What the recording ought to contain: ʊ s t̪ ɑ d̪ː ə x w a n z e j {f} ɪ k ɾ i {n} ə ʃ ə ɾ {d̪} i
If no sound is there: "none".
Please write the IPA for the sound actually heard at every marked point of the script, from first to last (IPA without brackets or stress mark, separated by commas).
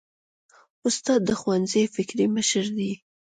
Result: f, m, d̪